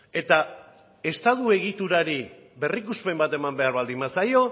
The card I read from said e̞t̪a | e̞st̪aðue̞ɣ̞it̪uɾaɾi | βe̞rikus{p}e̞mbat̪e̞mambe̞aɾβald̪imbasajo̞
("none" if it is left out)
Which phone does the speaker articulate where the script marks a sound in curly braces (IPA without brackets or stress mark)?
p